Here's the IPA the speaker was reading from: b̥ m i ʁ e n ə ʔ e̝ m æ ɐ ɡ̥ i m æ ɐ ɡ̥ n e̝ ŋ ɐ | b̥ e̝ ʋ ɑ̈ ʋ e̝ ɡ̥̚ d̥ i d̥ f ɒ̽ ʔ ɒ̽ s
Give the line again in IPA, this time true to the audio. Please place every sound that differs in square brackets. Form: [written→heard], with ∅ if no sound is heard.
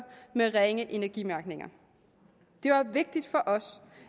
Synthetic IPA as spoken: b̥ m [i→e] ʁ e [n→ŋ] ə ʔ e̝ [m→n] æ ɐ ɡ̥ i m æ ɐ ɡ̥ n e̝ ŋ ɐ | [b̥→d̥] e̝ ʋ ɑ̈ ʋ e̝ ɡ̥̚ d̥ i d̥ f ɒ̽ ʔ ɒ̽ s